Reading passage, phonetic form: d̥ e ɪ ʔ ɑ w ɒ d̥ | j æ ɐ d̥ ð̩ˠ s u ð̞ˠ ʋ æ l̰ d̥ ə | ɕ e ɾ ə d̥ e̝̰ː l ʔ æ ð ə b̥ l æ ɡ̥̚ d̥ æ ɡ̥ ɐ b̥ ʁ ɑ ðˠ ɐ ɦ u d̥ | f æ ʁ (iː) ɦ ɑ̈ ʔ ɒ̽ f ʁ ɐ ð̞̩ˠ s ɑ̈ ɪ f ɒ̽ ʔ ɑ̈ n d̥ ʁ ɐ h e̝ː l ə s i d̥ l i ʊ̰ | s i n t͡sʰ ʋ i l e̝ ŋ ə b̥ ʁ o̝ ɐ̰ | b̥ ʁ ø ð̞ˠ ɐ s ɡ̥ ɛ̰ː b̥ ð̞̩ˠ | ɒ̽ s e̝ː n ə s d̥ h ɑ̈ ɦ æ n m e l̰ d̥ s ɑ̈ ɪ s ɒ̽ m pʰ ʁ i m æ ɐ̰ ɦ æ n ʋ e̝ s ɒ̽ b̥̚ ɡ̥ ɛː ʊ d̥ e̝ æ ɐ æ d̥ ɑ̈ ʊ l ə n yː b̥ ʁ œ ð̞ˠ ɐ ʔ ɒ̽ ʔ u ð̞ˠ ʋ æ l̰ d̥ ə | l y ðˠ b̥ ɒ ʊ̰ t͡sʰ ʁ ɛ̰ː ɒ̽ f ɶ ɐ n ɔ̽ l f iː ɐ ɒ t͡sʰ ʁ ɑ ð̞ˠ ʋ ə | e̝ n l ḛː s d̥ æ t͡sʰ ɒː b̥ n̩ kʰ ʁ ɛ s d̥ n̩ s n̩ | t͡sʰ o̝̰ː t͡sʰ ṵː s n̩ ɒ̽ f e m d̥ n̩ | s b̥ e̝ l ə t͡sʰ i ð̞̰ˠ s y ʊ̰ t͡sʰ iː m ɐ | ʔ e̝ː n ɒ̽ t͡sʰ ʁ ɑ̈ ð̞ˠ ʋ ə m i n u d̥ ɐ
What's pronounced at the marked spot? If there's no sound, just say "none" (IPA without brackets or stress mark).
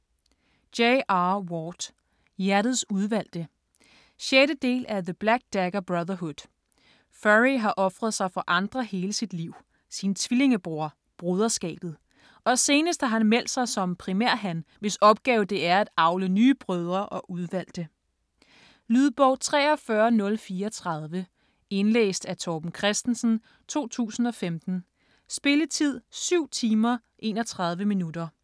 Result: i